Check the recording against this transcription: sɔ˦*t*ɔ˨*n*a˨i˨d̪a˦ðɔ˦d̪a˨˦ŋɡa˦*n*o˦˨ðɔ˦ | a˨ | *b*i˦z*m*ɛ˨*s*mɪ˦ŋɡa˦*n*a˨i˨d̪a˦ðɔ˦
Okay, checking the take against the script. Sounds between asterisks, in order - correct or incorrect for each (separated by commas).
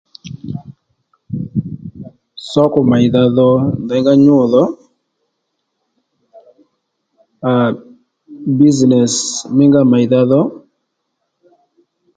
incorrect, incorrect, incorrect, correct, incorrect, correct, incorrect